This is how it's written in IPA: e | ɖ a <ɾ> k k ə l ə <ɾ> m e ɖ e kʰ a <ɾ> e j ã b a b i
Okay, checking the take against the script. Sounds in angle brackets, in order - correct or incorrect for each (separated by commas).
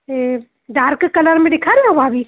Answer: correct, correct, correct